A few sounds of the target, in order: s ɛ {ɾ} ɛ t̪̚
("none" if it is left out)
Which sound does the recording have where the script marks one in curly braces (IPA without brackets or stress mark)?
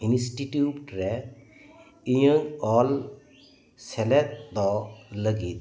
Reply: l